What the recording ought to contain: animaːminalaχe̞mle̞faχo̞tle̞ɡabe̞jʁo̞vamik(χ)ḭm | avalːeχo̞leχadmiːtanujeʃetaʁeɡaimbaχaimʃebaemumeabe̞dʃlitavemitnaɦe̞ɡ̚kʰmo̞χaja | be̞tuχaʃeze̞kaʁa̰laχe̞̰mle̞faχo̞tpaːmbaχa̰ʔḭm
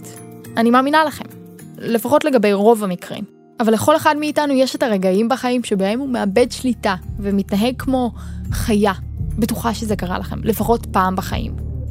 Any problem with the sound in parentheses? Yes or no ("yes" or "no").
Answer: yes